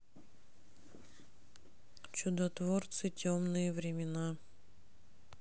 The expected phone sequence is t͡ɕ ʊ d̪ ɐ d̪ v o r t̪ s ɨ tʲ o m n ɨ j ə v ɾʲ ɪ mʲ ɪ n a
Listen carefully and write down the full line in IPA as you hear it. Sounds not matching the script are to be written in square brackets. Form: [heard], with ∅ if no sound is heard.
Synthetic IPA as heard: t͡ɕ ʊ d̪ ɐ [t̪] v o r t̪ s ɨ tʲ o m n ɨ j ə v ɾʲ ɪ mʲ ɪ n a